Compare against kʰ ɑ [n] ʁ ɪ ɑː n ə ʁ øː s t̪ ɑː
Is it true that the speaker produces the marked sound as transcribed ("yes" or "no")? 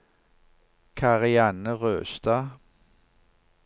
no